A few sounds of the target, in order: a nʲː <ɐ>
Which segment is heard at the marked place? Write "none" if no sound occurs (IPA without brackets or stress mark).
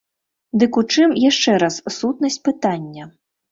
ɐ